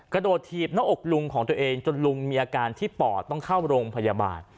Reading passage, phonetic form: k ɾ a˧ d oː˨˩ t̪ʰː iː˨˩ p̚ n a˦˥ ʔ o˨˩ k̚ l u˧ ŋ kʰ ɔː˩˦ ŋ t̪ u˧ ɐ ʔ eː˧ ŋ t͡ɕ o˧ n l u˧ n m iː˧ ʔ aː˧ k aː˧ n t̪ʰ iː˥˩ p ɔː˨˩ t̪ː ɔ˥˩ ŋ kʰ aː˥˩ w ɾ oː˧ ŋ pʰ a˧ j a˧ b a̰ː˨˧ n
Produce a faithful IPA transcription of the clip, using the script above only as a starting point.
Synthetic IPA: k ɾ a˧ d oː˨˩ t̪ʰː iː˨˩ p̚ n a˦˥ ʔ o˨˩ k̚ l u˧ ŋ kʰ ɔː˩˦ ŋ t̪ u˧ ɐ ʔ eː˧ ŋ t͡ɕ o˧ n l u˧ ŋ m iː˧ ʔ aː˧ k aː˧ n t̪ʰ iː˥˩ p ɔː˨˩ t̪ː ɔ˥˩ ŋ kʰ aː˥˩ w ɾ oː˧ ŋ pʰ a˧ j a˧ b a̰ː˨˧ n

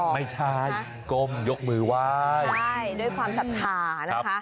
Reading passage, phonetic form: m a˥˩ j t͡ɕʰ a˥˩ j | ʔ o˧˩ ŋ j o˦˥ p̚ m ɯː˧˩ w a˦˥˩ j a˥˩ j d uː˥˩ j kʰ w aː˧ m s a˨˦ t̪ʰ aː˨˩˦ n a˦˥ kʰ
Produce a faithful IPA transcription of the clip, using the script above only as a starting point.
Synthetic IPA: m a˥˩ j t͡ɕʰ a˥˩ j | k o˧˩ m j o˦˥ k̚ m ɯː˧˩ w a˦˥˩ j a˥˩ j d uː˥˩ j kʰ w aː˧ m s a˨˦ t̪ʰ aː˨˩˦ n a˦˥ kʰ

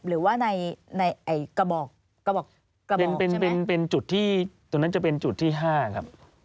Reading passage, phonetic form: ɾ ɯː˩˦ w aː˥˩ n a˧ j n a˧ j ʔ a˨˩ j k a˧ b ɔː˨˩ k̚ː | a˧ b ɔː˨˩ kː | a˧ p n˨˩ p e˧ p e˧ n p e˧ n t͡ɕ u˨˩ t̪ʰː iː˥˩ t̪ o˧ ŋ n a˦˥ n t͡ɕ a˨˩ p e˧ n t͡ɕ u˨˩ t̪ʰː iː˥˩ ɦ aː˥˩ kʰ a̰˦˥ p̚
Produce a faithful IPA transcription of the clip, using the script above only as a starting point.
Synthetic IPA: ɾ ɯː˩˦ w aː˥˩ n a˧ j n a˧ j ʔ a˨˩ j k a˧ b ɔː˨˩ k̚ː | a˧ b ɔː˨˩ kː | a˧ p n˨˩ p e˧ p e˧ n p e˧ n t͡ɕ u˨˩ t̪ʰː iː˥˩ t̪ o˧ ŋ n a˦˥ n t͡ɕ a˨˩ p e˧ n t͡ɕ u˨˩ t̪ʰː iː˥˩ ɦ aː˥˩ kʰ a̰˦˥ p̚

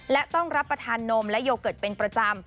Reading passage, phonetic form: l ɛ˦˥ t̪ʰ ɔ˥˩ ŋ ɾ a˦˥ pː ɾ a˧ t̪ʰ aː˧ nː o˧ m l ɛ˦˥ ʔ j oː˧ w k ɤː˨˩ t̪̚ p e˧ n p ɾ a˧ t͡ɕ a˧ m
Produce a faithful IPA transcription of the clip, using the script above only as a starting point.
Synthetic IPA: l ɛ˦˥ t̪ ɔ˥˩ ŋ ɾ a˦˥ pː ɾ a˧ t̪ʰ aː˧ nː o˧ m l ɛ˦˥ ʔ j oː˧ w k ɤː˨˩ t̪̚ p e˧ n p ɾ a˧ t͡ɕ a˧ m

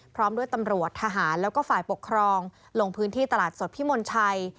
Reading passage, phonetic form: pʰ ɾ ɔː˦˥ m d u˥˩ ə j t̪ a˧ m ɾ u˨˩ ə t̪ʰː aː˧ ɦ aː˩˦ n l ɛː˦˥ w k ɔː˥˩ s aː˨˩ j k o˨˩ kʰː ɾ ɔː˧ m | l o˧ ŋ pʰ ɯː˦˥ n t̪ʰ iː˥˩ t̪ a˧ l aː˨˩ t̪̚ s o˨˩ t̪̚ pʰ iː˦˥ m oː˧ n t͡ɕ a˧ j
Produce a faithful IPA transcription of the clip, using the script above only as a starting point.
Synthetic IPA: pʰ ɾ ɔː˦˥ m d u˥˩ ə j t̪ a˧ m ɾ u˨˩ ə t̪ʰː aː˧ ɦ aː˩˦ n l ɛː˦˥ w k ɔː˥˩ f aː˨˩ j p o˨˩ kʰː ɾ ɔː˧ ŋ | l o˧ ŋ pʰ ɯː˦˥ n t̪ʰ iː˥˩ t̪ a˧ l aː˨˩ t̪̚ s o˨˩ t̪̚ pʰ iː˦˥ m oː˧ n t͡ɕʰ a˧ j

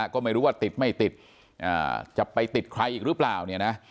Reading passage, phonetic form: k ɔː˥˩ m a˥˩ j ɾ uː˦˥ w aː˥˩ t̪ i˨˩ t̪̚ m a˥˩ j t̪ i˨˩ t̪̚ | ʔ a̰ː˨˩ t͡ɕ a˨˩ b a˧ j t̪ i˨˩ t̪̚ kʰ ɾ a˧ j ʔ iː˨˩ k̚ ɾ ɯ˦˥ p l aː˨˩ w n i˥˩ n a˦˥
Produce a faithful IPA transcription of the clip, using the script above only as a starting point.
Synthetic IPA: k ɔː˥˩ m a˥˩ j ɾ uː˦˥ w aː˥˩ t̪ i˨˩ t̪̚ m a˥˩ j t̪ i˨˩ t̪̚ | ʔ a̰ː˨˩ t͡ɕ a˨˩ p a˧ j t̪ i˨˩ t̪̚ kʰ ɾ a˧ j ʔ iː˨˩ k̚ ɾ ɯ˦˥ p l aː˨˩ w n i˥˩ n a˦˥

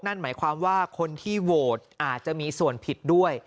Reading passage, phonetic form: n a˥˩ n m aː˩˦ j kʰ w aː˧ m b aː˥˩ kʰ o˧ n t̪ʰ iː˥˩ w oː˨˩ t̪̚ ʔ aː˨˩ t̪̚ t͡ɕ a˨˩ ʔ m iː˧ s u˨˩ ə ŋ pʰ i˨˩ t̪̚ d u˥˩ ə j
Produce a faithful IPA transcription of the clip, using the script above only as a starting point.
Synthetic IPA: n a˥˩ n m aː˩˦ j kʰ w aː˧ m w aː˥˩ kʰ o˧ n t̪ʰ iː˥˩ w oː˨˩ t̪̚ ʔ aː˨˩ t̪̚ t͡ɕ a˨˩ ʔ m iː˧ s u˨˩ ə n pʰ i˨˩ t̪̚ d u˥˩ ə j

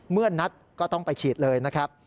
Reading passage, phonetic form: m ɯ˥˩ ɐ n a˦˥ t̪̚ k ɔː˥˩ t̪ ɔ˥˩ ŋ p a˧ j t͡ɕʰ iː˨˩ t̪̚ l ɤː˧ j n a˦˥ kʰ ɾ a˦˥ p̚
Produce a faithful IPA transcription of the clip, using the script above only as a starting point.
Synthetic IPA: m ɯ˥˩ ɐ n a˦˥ t̪̚ k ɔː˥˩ t̪ ɔ˥˩ ŋ p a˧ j t͡ɕʰ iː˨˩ t̪̚ l ɤː˧ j n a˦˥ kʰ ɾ a˦˥ p̚

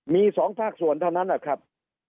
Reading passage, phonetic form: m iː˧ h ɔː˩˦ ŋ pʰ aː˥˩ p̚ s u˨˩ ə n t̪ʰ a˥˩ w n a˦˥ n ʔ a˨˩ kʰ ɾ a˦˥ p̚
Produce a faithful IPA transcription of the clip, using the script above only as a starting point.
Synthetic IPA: m iː˧ s ɔː˩˦ ŋ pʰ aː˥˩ k̚ s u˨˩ ə n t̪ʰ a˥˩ w n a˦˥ n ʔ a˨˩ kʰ ɾ a˦˥ p̚

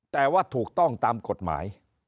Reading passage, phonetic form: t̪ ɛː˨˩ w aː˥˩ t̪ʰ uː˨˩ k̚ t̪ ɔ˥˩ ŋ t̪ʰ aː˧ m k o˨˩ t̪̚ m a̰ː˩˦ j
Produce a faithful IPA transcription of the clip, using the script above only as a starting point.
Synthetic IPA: t̪ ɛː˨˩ w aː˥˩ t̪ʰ uː˨˩ k̚ t̪ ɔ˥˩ ŋ t̪ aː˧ m k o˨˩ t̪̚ m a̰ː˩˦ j

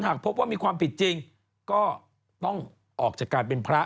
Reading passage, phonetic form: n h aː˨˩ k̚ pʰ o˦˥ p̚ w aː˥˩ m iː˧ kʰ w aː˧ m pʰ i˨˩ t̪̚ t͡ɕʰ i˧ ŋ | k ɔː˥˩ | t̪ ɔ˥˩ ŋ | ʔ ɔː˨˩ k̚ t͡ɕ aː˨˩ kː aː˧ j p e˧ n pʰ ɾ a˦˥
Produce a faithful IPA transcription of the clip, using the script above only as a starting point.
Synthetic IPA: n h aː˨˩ k̚ pʰ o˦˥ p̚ w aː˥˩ m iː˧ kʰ w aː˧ m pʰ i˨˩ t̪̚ t͡ɕ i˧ ŋ | k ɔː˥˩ | t̪ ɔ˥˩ ŋ | ʔ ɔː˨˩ k̚ t͡ɕ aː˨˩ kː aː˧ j p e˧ n pʰ ɾ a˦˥

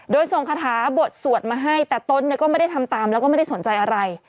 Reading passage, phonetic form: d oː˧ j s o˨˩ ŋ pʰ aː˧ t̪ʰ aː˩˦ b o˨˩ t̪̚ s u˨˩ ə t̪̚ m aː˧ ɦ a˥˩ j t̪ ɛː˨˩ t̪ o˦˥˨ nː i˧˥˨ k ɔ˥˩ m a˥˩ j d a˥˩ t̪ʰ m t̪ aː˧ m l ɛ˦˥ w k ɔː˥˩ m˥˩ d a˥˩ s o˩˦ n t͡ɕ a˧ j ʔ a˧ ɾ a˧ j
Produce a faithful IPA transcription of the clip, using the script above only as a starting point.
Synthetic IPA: d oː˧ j s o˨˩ ŋ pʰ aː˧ t̪ʰ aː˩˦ b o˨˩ t̪̚ s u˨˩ ə t̪̚ m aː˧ ɦ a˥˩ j t̪ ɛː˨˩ t̪ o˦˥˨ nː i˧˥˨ k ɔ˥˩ m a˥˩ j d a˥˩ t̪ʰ m t̪ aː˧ m l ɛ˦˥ w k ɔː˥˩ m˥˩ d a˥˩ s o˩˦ n t͡ɕ a˧ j ʔ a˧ ɾ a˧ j

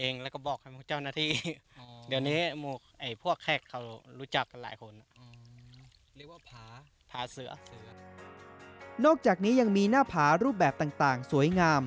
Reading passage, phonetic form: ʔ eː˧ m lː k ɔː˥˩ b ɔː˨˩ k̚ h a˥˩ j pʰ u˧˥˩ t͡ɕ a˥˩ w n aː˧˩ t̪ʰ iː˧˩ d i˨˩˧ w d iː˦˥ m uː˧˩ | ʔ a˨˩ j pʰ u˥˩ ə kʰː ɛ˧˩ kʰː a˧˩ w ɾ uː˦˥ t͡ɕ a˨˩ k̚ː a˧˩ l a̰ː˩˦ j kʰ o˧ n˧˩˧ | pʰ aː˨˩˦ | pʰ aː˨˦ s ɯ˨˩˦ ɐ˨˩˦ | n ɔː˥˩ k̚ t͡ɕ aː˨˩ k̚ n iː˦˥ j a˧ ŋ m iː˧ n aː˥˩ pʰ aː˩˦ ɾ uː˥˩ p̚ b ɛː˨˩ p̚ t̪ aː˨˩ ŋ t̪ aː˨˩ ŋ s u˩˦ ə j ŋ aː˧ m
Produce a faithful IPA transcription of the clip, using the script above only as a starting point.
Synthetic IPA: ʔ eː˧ ŋ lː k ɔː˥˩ b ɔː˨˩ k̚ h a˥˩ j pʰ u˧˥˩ t͡ɕ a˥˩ w n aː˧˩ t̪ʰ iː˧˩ d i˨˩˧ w n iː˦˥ m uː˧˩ | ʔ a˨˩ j pʰ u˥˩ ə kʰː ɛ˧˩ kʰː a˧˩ w ɾ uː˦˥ t͡ɕ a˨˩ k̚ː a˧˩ l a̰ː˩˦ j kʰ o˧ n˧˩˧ | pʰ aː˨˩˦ | pʰ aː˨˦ s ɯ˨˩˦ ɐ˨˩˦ | n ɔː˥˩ k̚ t͡ɕ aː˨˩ k̚ n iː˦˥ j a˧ ŋ m iː˧ n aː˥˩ pʰ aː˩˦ ɾ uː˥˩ p̚ b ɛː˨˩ p̚ t̪ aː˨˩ ŋ t̪ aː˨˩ ŋ s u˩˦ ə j ŋ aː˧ m

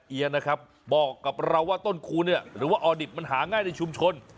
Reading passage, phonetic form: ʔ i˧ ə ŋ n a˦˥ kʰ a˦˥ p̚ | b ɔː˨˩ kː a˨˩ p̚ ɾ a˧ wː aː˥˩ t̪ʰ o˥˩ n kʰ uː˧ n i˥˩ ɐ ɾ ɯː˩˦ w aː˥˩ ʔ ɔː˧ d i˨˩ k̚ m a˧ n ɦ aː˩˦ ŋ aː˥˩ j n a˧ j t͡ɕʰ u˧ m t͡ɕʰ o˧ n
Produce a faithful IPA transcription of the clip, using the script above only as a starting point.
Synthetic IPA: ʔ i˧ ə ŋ n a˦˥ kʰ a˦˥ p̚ | b ɔː˨˩ kː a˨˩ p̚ ɾ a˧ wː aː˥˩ t̪ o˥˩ n kʰ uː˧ n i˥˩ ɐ ɾ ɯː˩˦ w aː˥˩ ʔ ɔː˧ d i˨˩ p̚ m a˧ n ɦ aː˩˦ ŋ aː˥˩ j n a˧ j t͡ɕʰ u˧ m t͡ɕʰ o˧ n

